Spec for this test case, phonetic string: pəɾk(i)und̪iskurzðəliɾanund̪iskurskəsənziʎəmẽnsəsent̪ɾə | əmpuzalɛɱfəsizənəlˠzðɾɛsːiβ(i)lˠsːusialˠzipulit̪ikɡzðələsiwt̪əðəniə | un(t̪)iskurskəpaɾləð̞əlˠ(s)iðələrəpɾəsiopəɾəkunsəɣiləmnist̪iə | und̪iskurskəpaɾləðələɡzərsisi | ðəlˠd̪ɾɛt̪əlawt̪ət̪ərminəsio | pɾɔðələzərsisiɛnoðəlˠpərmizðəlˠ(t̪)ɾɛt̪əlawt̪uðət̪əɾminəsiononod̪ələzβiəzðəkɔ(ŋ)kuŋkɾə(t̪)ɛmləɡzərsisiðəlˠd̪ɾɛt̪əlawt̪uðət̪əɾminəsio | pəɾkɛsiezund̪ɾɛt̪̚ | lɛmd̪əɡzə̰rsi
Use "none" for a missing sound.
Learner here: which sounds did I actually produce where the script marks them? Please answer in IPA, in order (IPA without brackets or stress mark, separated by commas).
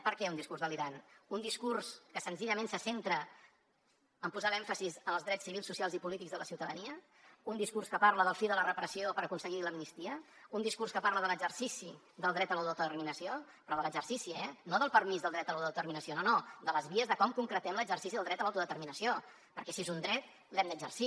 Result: ɛ, i, d̪, f, d̪, m, t̪